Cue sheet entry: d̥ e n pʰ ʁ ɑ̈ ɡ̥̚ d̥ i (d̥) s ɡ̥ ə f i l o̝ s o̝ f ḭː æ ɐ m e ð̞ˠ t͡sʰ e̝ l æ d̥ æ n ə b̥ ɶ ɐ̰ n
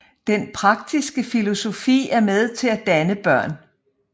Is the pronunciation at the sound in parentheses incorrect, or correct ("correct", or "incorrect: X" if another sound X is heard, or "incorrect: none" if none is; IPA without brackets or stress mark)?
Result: incorrect: none